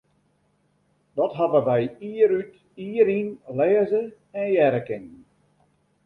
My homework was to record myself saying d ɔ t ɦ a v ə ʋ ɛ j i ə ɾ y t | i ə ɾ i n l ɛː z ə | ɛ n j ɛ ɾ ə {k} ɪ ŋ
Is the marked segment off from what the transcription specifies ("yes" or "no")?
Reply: no